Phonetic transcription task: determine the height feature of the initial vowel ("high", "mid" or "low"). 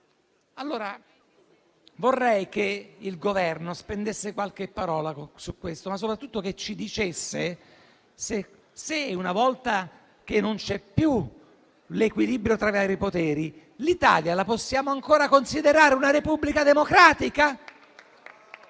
low